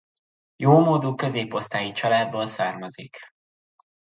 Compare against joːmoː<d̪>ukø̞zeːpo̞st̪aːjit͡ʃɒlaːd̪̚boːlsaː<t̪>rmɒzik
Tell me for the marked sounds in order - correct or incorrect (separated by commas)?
correct, incorrect